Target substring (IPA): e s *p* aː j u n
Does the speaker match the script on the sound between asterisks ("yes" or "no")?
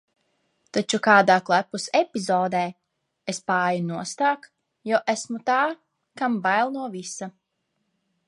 yes